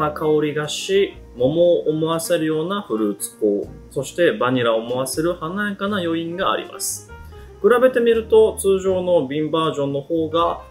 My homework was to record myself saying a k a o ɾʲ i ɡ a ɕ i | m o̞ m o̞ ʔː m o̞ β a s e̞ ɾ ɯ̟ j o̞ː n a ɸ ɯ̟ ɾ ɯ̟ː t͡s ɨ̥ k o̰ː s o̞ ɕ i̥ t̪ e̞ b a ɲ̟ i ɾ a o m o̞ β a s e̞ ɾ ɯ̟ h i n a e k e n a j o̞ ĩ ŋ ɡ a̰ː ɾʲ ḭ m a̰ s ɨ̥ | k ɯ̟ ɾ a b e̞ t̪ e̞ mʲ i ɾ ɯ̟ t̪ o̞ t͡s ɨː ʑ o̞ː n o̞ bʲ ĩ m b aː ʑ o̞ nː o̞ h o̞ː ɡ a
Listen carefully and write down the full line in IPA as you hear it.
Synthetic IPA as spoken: a k a o ɾʲ i ɡ a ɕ i | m o̞ m o̞ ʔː m o̞ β a s e̞ ɾ ɯ̟ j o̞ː n a ɸ ɯ̟ ɾ ɯ̟ː t͡s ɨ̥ k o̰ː s o̞ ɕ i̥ t̪ e̞ b a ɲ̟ i ɾ a o m o̞ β a s e̞ ɾ ɯ̟ h a n a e k a n a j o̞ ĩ ŋ ɡ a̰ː ɾʲ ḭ m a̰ s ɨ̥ | k ɯ̟ ɾ a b e̞ t̪ e̞ mʲ i ɾ ɯ̟ t̪ o̞ t͡s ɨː ʑ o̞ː n o̞ bʲ ĩ m b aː ʑ õ̞ nː o̞ h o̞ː ɡ a